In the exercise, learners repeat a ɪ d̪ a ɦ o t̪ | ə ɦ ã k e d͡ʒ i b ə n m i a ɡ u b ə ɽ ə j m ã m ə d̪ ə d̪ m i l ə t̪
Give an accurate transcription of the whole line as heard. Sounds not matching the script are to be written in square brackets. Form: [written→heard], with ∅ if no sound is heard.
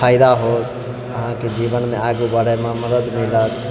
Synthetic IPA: a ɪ d̪ a ɦ o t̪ | ə ɦ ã k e d͡ʒ i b ə n m [i→e] a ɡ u b ə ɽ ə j m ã m ə d̪ ə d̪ m i l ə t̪

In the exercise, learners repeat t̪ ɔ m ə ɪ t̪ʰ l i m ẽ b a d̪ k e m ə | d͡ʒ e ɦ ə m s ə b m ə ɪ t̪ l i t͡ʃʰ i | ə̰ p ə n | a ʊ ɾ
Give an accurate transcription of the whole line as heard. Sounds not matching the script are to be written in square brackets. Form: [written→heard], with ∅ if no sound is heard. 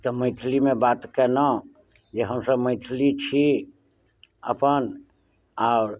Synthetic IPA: t̪ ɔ m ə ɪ t̪ʰ l i m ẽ b a [d̪→t̪] k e [m→n] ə | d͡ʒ e ɦ ə m s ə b m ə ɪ [t̪→t̪ʰ] l i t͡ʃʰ i | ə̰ p ə n | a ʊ ɾ

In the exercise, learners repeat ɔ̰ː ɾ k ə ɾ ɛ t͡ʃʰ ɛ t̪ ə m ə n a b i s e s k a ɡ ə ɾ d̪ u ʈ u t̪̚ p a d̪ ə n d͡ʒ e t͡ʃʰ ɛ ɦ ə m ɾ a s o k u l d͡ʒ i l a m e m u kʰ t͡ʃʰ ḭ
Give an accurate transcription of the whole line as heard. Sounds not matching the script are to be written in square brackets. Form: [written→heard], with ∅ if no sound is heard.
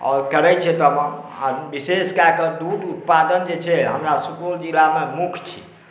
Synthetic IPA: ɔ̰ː ɾ k ə ɾ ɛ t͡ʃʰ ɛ t̪ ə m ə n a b i s e s k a [ɡ→k] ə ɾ d̪ u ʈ u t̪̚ p a d̪ ə n d͡ʒ e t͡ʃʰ ɛ ɦ ə m ɾ a s [o→u] k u l d͡ʒ i l a m e m u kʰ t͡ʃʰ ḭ

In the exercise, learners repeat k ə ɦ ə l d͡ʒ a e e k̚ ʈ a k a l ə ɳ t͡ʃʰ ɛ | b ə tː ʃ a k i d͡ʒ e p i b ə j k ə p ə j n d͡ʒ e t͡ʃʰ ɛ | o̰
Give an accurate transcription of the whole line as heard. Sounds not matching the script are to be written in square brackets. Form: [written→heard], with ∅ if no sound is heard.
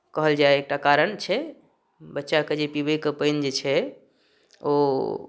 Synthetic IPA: k ə ɦ ə l d͡ʒ a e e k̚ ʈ a k a [l→ɾ] ə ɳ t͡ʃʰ ɛ | b ə tː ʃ a k [i→e] d͡ʒ e p i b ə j k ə p ə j n d͡ʒ e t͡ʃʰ ɛ | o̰

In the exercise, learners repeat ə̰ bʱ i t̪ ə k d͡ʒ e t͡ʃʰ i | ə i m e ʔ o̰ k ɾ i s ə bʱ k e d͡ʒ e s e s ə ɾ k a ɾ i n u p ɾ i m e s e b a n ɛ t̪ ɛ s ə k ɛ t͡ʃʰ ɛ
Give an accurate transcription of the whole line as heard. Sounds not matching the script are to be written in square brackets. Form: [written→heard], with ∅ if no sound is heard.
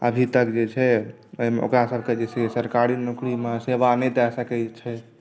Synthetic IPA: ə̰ bʱ i t̪ ə k d͡ʒ e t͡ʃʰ [i→ɛ] | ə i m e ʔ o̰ k ɾ [i→a] s ə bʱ k e d͡ʒ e s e s ə ɾ k a ɾ i n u [p→k] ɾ i m e s e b a n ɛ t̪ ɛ s ə k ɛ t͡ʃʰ ɛ

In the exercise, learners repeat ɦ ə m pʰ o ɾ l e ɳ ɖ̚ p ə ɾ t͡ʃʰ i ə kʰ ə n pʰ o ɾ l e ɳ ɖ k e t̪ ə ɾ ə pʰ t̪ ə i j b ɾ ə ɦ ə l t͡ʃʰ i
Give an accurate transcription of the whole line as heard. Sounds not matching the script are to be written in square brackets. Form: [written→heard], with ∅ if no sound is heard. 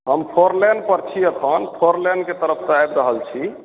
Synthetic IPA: ɦ ə m pʰ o ɾ l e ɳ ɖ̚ p ə ɾ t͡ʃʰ i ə kʰ ə n pʰ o ɾ l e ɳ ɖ k e t̪ ə ɾ ə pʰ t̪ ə [i→a] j b ɾ ə ɦ ə l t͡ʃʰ i

